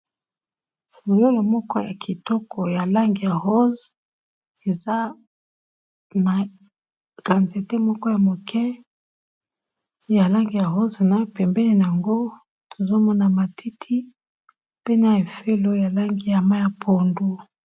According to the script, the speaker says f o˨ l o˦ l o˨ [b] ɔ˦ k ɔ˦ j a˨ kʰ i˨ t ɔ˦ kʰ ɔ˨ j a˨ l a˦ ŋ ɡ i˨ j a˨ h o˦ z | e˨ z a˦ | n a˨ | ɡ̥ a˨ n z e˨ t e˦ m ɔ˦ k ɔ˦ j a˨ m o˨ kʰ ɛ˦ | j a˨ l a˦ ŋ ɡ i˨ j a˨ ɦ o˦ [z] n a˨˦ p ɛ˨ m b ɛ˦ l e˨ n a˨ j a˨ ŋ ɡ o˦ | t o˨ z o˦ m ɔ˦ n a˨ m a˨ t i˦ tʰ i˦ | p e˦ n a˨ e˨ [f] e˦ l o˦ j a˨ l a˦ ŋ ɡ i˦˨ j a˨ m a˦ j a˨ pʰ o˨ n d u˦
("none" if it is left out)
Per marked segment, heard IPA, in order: m, z, f

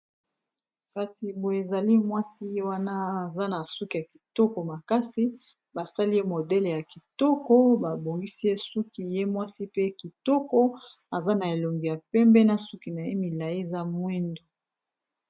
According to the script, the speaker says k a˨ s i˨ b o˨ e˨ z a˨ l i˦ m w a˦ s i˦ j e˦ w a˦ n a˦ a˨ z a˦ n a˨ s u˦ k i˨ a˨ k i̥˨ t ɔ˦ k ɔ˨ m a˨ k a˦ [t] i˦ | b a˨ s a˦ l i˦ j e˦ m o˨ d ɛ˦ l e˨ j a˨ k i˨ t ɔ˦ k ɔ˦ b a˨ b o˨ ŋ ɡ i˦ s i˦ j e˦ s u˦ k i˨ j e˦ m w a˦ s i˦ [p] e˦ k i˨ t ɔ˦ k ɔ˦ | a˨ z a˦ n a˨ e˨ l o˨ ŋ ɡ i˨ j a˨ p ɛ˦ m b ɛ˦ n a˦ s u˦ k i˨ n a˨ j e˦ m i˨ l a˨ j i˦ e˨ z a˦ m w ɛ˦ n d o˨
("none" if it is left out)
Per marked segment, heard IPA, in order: s, p

